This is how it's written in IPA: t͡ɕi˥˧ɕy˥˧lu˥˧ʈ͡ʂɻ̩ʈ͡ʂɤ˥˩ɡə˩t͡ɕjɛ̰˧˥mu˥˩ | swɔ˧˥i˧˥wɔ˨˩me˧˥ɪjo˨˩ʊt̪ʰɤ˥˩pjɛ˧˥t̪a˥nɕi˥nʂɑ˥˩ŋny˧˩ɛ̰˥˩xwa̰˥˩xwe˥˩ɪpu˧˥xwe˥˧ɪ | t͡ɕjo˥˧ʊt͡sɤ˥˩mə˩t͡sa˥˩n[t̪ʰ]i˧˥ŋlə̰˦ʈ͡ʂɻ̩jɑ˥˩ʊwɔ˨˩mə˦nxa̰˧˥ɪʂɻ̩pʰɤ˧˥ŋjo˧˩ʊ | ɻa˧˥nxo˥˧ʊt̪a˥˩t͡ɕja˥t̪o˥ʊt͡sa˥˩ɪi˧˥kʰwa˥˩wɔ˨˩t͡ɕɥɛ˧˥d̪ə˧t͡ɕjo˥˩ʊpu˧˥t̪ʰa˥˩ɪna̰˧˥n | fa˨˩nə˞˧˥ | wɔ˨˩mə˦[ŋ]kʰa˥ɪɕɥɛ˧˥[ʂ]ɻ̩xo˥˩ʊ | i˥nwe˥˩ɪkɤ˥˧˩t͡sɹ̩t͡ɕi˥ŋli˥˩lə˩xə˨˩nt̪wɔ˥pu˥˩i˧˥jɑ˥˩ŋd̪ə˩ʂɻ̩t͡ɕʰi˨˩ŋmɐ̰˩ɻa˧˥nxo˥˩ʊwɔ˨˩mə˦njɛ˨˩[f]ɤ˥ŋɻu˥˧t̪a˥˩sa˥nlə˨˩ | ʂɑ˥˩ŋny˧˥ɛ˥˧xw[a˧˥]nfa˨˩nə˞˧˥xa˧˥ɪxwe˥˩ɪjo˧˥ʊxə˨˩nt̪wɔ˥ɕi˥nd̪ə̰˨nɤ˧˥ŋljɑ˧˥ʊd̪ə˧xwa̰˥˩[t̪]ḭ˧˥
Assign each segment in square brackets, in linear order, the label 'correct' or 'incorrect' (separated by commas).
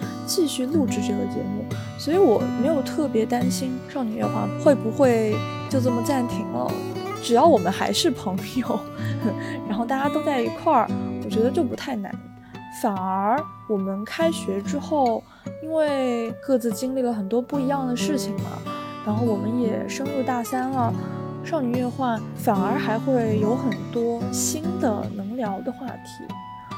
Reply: correct, incorrect, incorrect, incorrect, incorrect, incorrect